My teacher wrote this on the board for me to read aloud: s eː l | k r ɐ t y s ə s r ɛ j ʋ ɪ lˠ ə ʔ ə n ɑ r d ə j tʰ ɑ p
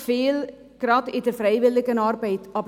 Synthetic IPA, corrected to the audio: f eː l | k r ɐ t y t ə f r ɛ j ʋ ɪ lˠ ə k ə n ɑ r b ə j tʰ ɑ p